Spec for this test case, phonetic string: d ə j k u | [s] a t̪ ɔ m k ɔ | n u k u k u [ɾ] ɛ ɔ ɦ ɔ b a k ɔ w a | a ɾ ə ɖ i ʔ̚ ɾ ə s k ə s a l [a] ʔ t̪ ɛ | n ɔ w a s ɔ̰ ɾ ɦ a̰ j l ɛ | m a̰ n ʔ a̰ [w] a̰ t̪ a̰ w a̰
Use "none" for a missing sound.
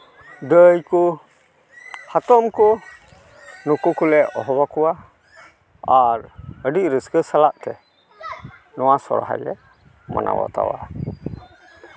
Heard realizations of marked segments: h, l, a, w

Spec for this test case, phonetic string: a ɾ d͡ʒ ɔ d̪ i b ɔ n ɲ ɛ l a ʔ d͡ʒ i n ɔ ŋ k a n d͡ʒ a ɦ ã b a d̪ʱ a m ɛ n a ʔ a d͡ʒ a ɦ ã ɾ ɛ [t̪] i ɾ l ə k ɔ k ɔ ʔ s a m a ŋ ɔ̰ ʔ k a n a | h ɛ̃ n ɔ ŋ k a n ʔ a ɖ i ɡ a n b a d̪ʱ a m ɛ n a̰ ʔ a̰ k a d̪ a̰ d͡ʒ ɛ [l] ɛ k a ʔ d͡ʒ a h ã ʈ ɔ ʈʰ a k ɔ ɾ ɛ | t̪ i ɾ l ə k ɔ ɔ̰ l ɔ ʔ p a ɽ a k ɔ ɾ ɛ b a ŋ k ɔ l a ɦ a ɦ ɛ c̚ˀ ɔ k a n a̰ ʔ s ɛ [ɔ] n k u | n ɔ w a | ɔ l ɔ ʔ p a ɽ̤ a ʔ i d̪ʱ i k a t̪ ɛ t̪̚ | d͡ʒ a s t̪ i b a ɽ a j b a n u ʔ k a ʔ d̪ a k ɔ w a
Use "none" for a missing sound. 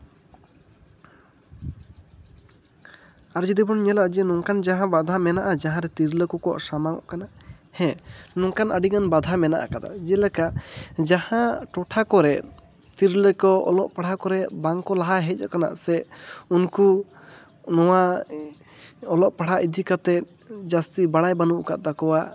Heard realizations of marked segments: t̪, l, u

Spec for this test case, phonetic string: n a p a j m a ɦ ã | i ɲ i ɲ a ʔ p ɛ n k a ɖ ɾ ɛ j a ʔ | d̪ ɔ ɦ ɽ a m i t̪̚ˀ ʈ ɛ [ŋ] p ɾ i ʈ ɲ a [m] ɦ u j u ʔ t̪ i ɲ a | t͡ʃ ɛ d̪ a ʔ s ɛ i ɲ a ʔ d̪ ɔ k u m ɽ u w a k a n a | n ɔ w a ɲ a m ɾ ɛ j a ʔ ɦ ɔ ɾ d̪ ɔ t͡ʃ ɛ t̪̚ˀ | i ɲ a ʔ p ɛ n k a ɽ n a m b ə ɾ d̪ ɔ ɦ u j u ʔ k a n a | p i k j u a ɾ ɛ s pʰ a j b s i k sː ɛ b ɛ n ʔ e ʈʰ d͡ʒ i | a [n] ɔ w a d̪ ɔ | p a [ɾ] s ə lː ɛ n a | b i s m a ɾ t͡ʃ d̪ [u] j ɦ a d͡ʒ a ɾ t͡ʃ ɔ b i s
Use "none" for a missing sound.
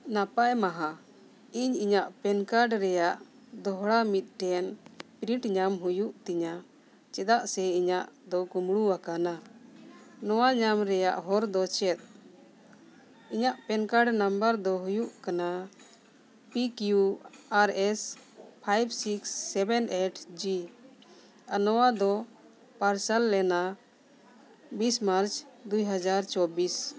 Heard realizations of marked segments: n, m, n, ɾ, u

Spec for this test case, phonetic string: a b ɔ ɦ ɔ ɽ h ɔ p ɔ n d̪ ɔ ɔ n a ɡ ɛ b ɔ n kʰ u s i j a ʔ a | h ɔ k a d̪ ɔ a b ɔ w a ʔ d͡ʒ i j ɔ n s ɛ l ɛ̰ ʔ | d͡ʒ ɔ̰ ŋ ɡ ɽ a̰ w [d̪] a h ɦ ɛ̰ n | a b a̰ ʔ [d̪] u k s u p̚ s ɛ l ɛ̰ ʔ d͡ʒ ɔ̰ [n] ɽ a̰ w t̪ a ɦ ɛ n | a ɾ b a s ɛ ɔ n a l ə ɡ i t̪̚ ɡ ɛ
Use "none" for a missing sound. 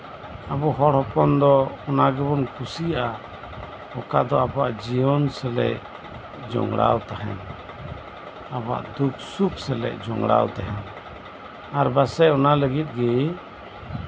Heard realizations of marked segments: t̪, d̪, ŋ

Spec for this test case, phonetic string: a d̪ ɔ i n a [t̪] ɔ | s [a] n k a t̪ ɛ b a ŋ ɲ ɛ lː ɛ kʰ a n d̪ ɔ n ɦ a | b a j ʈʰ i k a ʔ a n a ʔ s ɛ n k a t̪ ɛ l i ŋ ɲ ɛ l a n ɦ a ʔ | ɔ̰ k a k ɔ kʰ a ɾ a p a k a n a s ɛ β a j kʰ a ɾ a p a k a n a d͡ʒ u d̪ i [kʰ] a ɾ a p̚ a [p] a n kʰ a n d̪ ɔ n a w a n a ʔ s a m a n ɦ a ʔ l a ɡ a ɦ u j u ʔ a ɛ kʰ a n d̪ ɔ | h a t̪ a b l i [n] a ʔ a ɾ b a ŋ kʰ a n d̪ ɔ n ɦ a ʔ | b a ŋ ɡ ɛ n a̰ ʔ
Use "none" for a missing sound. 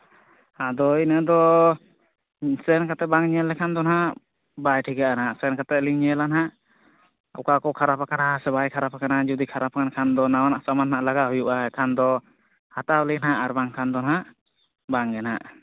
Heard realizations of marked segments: d̪, ɛ, kʰ, k, n

